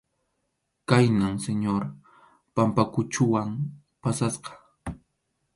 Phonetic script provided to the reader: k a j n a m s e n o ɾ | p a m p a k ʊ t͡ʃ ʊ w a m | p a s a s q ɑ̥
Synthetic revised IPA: k a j n a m s e ɲ o ɾ | p a m p a k ʊ t͡ʃ ʊ w a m | p a s a s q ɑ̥